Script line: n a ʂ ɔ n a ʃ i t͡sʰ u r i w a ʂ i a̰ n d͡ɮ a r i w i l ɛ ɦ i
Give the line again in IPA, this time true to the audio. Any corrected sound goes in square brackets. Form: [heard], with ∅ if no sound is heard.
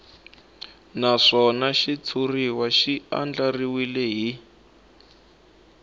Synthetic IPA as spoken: n a ʂ ɔ n a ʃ i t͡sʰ u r i w a [ʃ] i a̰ n d͡ɮ a r i w i l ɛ ɦ i